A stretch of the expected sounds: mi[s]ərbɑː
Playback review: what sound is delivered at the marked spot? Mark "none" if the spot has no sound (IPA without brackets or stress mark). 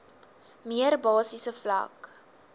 none